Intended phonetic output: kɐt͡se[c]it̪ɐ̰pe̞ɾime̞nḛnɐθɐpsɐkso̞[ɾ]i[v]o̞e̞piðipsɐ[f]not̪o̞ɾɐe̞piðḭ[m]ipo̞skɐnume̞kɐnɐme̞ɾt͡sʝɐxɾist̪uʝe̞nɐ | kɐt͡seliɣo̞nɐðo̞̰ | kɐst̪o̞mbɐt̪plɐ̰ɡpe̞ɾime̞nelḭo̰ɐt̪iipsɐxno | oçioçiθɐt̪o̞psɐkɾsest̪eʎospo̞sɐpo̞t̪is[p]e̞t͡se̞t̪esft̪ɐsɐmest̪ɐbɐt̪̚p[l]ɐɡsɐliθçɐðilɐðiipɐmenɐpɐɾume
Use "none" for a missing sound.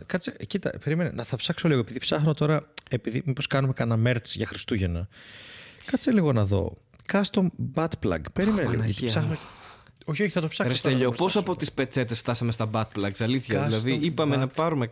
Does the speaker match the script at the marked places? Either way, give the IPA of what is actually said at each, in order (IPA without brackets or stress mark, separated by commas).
c, l, ɣ, x, m, p, l